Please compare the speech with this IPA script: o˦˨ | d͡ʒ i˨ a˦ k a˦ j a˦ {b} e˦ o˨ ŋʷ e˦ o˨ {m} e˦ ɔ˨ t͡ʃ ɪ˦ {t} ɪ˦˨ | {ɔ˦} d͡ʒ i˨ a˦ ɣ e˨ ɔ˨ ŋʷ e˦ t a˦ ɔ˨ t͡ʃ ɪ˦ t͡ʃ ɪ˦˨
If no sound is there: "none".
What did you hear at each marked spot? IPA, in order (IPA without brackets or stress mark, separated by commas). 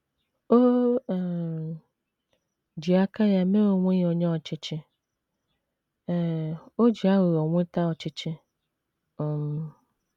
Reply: m, ɲ, t͡ʃ, o˦